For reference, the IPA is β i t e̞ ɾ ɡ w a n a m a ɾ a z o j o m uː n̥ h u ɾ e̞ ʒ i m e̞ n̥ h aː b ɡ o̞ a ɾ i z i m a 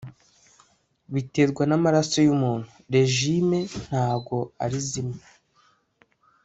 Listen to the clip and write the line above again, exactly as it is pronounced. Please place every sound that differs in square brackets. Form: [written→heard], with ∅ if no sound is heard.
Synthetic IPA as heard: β i t e̞ ɾ ɡ w a n a m a ɾ a [z→s] o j [o→u] m uː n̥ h u ɾ e̞ ʒ i m e̞ n̥ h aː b ɡ o̞ a ɾ i z i m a